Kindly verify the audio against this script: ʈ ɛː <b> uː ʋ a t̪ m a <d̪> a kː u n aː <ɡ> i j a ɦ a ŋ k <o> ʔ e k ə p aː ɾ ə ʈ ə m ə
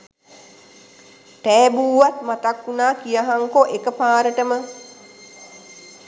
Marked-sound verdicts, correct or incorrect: correct, incorrect: t̪, incorrect: k, correct

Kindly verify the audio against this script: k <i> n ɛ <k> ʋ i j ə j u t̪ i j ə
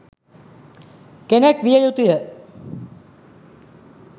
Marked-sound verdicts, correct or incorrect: incorrect: e, correct

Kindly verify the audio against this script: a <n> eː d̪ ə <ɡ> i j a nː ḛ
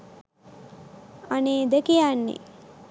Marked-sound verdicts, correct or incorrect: correct, incorrect: k

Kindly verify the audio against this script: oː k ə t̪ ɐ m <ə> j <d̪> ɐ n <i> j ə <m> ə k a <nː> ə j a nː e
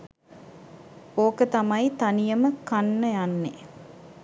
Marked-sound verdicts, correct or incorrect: incorrect: ɐ, incorrect: t̪, correct, correct, correct

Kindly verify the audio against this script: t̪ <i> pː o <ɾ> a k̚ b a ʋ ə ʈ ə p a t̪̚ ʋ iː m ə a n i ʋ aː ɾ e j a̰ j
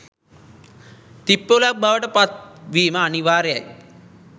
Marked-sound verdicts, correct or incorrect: correct, incorrect: l

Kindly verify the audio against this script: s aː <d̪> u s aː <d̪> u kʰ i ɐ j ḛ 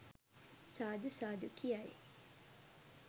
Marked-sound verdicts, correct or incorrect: correct, correct

